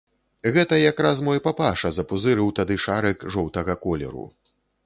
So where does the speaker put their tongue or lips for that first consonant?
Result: velum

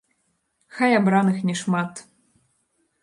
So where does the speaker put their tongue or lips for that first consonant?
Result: velum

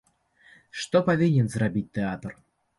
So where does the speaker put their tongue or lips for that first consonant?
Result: retroflex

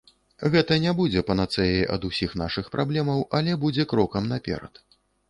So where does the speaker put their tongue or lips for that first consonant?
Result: velum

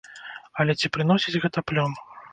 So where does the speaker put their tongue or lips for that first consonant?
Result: tongue tip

